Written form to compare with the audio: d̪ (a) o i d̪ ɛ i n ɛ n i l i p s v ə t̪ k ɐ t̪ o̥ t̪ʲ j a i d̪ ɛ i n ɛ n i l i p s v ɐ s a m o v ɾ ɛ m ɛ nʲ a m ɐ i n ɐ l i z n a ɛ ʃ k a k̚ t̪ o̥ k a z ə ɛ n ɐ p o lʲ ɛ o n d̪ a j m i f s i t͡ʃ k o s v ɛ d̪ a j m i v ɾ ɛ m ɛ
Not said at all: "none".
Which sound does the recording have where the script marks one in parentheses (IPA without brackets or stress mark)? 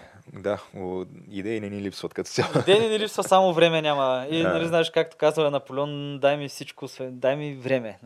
a